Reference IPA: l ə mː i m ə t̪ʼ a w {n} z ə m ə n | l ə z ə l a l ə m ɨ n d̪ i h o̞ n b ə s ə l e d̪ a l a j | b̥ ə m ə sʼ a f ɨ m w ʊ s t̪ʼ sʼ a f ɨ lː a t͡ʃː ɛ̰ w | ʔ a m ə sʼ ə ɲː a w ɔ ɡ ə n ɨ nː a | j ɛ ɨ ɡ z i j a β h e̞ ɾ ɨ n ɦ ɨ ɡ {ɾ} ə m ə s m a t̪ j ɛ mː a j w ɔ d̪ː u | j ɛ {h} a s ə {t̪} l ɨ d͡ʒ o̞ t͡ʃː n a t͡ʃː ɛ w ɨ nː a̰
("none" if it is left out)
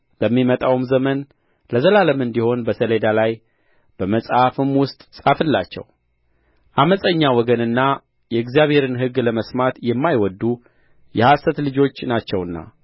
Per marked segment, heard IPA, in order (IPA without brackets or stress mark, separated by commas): m, l, h, t̪